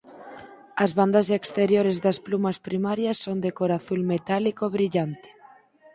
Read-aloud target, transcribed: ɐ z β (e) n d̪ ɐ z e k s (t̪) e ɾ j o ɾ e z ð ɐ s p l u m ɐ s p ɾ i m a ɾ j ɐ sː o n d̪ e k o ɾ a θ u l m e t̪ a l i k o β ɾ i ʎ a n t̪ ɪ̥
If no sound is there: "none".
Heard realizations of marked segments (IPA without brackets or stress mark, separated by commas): a, t̪